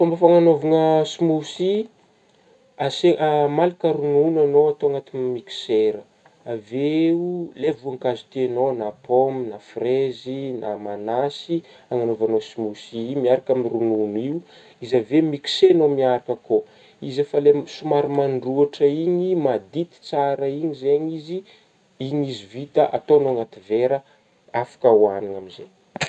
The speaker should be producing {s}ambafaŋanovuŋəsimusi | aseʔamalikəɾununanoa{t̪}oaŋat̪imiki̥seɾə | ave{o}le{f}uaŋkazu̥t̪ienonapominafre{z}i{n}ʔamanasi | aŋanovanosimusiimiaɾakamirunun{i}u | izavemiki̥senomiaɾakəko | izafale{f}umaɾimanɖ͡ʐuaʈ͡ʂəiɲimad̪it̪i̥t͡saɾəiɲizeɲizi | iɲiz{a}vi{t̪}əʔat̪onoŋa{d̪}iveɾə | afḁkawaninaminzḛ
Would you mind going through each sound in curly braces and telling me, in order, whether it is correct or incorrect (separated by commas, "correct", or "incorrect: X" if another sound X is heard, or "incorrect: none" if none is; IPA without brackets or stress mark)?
incorrect: f, correct, incorrect: u, incorrect: v, correct, correct, correct, incorrect: s, incorrect: i, correct, incorrect: t̪